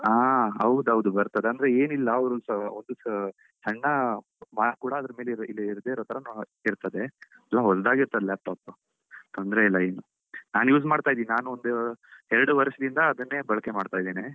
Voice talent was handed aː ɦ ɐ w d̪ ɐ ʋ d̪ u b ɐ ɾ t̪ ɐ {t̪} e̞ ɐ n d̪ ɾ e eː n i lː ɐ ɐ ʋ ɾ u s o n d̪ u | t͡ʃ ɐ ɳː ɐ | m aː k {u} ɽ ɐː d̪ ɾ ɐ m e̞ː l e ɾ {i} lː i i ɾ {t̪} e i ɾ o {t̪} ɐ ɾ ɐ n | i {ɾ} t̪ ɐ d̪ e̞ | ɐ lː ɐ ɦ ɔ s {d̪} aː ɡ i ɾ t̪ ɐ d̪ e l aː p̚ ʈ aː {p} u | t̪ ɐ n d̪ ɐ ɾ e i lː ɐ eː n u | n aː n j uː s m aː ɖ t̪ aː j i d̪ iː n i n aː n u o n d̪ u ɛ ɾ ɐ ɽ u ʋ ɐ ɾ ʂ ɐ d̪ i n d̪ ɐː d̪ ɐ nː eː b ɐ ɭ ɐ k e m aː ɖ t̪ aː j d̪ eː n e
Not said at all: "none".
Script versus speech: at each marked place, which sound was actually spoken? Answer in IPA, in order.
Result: d̪, uː, i, d̪, t̪, ɾ, d̪, p

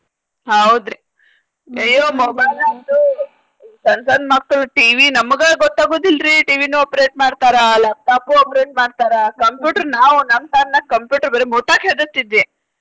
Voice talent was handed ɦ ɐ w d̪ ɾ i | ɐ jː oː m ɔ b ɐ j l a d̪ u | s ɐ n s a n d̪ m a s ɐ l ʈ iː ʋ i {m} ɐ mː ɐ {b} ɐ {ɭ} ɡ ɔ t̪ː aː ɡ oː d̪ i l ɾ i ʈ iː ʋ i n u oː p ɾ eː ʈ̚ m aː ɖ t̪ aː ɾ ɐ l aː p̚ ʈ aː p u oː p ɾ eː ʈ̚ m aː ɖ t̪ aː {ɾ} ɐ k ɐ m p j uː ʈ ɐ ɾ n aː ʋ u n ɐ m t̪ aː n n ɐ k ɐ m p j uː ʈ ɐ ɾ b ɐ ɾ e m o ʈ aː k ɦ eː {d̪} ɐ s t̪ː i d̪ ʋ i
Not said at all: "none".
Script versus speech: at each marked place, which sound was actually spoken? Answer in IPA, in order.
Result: n, ɡ, ɭ, ɾ, d̪

